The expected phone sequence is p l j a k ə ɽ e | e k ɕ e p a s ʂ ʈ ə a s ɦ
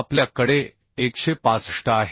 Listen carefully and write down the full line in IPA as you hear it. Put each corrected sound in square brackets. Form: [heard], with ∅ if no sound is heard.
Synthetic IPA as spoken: p l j a k ə ɽ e | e k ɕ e p a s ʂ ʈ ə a [∅] ɦ